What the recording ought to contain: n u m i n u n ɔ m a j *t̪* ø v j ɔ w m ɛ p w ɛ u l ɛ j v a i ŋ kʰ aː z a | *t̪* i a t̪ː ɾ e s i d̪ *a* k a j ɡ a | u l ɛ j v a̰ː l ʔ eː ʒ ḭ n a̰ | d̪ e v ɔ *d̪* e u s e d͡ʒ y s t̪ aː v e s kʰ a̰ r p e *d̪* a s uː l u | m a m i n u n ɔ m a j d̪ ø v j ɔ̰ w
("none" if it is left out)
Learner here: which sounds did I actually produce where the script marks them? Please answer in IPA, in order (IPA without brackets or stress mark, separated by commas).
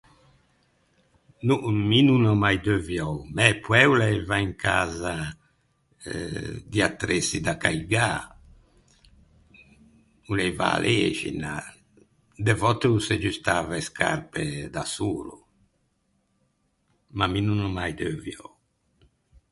d̪, d̪, a, t̪, d̪